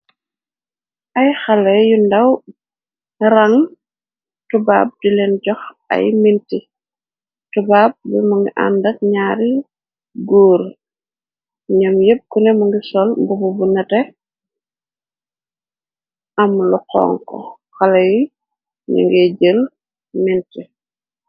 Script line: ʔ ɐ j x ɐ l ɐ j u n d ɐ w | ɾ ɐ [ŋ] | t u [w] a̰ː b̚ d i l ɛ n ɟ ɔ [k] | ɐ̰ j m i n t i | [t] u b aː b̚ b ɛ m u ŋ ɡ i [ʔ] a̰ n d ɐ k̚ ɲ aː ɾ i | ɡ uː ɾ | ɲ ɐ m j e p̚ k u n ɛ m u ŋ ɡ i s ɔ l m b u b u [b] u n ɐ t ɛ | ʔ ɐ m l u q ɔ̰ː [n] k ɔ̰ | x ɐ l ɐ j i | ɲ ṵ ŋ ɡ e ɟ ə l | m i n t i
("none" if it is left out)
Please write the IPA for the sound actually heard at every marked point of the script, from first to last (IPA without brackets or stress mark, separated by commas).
ŋ, b, x, t, ʔ, b, ŋ